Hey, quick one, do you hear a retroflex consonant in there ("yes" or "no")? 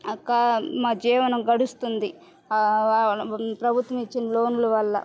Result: yes